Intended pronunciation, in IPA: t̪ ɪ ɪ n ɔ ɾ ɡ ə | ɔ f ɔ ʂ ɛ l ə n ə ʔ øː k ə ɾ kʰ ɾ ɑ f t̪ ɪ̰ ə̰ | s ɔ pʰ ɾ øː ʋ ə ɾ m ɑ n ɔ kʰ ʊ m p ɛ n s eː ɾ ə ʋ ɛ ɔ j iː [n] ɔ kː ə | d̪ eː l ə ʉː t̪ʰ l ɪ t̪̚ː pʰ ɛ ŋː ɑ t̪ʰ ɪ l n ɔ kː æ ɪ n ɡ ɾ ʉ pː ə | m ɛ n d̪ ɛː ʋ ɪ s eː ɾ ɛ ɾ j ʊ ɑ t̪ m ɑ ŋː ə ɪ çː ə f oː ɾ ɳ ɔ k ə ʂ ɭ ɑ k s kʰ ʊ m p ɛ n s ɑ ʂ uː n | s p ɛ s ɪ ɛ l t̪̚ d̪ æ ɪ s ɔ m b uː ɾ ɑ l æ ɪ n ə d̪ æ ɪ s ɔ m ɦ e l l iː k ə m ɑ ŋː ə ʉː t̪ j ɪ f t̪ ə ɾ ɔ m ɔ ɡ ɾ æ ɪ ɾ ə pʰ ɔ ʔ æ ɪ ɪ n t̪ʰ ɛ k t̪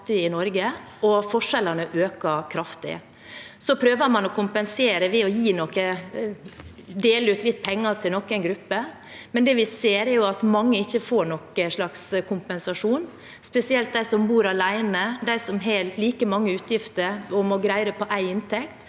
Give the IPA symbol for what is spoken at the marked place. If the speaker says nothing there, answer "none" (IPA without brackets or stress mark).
n